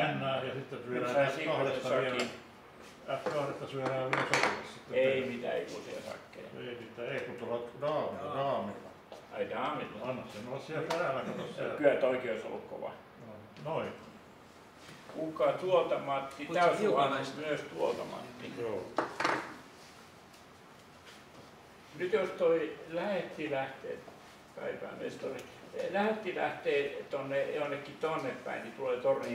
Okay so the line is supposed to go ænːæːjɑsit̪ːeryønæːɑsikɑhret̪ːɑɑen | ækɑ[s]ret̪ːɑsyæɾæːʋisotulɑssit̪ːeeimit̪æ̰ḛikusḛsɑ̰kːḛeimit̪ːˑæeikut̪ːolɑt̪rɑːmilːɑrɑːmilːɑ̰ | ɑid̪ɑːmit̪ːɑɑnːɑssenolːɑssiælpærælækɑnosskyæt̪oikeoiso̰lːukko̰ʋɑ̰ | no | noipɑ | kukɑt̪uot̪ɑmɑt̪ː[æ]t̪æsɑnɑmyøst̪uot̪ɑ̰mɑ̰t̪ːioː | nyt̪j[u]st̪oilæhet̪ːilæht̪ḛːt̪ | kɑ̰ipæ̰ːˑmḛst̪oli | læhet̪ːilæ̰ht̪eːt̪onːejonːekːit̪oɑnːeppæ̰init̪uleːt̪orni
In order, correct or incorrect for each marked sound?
incorrect: h, incorrect: i, incorrect: o

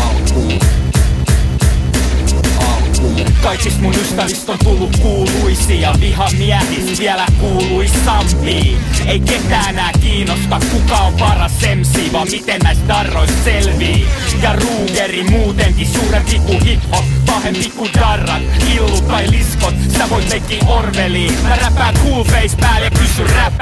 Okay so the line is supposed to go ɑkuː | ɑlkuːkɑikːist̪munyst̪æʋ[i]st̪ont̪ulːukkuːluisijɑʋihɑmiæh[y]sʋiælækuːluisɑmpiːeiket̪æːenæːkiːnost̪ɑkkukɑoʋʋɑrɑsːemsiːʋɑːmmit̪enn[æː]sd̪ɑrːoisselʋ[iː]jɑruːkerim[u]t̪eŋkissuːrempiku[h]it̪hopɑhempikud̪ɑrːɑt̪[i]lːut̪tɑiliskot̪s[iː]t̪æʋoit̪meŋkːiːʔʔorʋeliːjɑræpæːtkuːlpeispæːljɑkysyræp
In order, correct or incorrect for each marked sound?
correct, incorrect: i, incorrect: æ, correct, incorrect: uː, correct, correct, incorrect: i

